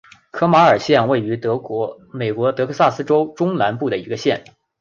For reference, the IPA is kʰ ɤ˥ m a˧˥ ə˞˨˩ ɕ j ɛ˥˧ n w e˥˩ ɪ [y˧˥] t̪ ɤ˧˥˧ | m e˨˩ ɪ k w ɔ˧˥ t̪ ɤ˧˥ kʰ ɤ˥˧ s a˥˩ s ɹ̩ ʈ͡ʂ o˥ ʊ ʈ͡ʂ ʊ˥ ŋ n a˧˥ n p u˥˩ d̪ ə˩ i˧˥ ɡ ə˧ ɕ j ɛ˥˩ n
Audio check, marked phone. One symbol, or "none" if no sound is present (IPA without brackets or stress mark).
y˧˥